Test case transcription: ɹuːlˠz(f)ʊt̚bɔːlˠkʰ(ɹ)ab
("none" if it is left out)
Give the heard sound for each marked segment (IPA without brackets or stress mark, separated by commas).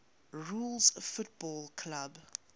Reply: f, l